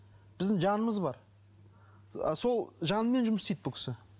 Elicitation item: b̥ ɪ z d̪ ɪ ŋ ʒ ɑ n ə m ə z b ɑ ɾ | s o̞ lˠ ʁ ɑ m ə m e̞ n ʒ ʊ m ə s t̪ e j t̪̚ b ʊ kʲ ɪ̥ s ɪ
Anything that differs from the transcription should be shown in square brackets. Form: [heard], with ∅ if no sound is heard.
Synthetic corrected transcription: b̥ ɪ z d̪ ɪ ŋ ʒ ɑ n ə m ə z b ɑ ɾ | s o̞ lˠ [ʒ] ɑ [n] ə m e̞ n ʒ ʊ m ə s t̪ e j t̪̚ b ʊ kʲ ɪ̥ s ɪ